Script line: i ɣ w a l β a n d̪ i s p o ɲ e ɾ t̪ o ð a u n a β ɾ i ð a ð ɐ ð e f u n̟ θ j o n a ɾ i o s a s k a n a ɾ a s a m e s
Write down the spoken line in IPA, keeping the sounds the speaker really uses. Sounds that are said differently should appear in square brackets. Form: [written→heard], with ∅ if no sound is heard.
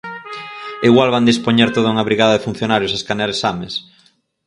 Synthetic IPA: i ɣ w a l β a n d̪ i s p o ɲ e ɾ t̪ o ð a u [n→ŋ] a β ɾ i [ð→ɣ] a ð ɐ ð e f u n̟ θ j o n a ɾ [i→j] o s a s k a n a ɾ [a→e] s a m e s